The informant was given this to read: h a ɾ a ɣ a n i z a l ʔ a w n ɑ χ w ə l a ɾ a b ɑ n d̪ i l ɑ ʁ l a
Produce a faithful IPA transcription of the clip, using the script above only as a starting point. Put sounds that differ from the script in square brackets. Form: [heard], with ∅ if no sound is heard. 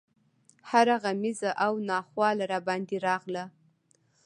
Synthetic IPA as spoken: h a ɾ a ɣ a [m] i z a [∅] ʔ a w n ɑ χ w [ɑ] l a ɾ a b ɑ n d̪ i [ɾ] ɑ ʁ l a

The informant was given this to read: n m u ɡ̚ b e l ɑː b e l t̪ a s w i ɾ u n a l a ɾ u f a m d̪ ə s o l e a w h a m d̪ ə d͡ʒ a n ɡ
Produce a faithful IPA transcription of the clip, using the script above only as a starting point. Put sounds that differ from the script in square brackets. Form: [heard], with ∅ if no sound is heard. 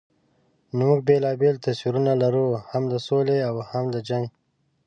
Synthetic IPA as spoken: n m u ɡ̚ b e l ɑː b e l t̪ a s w i ɾ u n a l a ɾ u [h] a m d̪ ə s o l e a w h a m d̪ ə d͡ʒ a [ŋ] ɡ

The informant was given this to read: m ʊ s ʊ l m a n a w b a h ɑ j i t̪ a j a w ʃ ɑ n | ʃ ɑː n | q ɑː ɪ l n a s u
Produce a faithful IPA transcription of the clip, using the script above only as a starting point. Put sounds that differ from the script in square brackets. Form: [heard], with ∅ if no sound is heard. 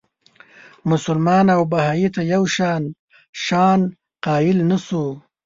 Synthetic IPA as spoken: m ʊ s ʊ l m [ɑ] n a w b a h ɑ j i t̪ a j a w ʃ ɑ n | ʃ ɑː n | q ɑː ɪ l n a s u

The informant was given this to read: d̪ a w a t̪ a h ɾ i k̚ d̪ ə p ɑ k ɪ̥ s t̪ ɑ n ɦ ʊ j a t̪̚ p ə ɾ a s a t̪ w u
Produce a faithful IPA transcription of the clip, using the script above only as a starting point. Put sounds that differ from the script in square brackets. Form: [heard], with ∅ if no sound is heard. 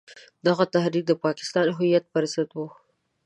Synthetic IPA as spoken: d̪ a [ɣ] a t̪ a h ɾ i k̚ d̪ ə p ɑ k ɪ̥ s t̪ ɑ n ɦ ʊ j a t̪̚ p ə ɾ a s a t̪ w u

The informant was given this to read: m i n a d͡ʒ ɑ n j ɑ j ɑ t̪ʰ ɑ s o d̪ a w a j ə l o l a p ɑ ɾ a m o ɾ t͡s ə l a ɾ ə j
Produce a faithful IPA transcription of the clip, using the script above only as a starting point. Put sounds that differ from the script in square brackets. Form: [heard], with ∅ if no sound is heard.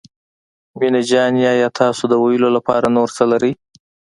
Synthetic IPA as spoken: m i n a d͡ʒ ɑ n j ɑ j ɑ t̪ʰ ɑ s o d̪ [ə] w a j ə l o l a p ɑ ɾ a [n] o ɾ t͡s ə l a ɾ ə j

